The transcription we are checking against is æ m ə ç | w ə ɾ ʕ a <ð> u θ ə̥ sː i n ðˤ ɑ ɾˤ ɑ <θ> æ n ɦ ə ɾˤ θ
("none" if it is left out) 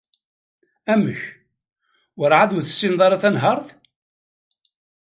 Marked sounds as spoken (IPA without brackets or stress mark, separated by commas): ð, θ